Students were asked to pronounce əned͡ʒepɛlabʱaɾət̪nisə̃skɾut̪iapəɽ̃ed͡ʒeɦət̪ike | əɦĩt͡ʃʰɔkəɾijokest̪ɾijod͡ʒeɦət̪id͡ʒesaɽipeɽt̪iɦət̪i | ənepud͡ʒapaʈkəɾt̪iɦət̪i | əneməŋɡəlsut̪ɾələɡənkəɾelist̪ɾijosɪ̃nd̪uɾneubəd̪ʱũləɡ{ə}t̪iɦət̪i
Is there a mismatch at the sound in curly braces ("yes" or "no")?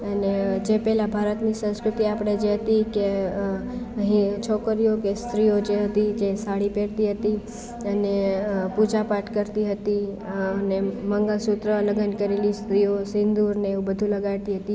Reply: yes